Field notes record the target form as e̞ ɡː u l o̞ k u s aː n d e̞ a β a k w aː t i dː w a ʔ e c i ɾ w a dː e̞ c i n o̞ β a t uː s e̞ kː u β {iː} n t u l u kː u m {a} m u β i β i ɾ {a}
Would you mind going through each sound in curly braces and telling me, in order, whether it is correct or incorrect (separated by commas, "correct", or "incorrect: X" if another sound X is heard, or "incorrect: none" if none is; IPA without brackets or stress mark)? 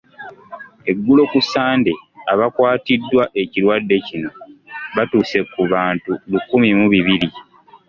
incorrect: aː, incorrect: i, incorrect: i